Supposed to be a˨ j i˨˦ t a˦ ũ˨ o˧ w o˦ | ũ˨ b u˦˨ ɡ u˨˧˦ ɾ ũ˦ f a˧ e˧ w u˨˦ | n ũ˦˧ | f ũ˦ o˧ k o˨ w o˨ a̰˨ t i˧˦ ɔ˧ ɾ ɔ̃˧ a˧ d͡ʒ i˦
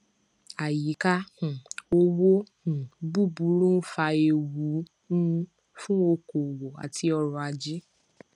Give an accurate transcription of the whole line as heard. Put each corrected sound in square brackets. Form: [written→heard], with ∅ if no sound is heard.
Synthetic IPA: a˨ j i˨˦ [t→k] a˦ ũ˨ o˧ w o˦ | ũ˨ b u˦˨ [ɡ→b] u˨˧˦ ɾ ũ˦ f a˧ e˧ w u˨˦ | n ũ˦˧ | f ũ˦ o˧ k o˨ w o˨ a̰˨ t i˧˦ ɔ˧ ɾ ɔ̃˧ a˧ d͡ʒ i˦